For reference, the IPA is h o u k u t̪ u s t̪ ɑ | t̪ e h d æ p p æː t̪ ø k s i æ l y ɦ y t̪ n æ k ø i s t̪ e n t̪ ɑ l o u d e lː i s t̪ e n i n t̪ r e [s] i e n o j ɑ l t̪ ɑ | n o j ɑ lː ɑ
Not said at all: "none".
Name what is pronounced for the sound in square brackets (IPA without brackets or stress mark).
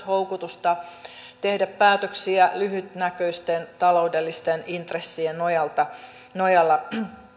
sː